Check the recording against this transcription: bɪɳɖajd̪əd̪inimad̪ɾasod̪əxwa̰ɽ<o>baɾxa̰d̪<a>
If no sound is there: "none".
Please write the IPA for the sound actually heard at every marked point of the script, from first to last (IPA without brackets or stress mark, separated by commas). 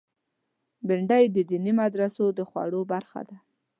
o, a